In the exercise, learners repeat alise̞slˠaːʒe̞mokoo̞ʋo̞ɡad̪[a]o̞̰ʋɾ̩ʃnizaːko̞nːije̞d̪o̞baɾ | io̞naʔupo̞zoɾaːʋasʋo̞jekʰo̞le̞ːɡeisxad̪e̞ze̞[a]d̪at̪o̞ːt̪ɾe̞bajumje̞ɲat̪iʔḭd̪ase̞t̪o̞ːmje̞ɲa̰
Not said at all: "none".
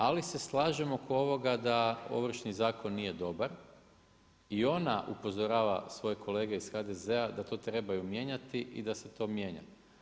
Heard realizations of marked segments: a, a

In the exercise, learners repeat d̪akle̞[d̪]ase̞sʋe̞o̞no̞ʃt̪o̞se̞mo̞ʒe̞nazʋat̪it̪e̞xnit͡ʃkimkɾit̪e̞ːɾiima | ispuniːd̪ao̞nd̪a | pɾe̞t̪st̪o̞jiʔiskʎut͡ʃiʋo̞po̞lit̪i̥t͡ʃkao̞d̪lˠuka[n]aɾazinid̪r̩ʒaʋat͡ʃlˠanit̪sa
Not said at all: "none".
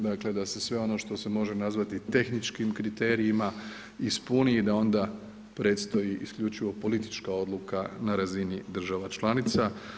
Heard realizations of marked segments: d̪, n

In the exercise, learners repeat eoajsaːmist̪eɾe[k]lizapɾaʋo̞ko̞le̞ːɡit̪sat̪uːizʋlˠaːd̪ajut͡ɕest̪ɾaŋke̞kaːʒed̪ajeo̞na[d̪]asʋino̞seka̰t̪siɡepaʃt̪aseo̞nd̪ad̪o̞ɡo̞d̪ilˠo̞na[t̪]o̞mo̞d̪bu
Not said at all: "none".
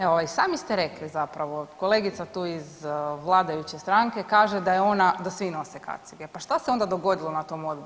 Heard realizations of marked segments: k, d̪, t̪

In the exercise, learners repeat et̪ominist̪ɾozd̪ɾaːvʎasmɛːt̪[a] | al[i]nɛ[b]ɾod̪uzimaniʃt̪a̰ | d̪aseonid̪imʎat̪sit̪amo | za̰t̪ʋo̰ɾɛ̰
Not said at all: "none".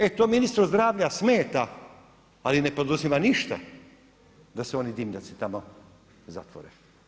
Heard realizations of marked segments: a, i, p

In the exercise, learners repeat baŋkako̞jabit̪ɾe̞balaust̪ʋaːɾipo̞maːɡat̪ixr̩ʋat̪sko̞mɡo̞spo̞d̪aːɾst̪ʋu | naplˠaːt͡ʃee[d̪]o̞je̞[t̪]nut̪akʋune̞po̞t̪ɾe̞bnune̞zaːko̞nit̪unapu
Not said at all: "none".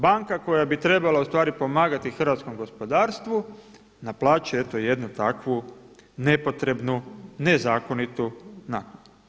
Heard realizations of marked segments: t̪, d̪

